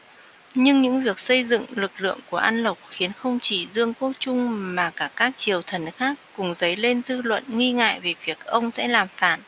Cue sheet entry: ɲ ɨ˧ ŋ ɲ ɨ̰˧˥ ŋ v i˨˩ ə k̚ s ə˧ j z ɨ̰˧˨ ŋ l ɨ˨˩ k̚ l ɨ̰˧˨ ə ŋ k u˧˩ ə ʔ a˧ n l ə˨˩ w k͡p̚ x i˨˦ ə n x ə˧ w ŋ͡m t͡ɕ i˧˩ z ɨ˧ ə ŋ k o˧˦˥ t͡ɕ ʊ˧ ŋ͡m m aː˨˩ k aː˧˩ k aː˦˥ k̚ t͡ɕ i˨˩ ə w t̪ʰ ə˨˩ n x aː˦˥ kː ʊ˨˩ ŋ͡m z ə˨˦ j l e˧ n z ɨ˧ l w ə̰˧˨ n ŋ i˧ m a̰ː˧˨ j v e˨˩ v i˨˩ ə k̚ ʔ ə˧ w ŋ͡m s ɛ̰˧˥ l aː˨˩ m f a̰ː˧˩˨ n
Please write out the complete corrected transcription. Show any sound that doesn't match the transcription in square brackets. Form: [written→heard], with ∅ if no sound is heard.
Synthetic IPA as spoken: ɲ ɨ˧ ŋ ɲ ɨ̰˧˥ ŋ v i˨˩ ə k̚ s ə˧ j z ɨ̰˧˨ ŋ l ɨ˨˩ k̚ l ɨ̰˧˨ ə ŋ k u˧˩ ə ʔ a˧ n l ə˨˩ w k͡p̚ x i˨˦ ə n x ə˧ w ŋ͡m t͡ɕ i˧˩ z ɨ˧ ə ŋ k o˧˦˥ t͡ɕ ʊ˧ ŋ͡m m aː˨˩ k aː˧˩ k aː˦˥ k̚ t͡ɕ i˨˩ ə w t̪ʰ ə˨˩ n x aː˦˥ kː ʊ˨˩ ŋ͡m z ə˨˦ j l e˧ n z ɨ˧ l w ə̰˧˨ n ŋ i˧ [m→ŋ] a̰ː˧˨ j v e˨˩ v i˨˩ ə k̚ ʔ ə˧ w ŋ͡m s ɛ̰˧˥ l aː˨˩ m f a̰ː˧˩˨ n